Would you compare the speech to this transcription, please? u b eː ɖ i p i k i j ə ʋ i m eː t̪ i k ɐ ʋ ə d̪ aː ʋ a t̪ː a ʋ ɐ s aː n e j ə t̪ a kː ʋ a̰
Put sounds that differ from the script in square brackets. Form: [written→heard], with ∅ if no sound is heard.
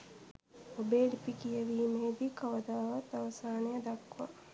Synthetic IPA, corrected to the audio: [u→o] b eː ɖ i p i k i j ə ʋ [i→iː] m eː [t̪→d̪] i k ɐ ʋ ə d̪ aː ʋ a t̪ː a ʋ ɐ s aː n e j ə [t̪→d̪] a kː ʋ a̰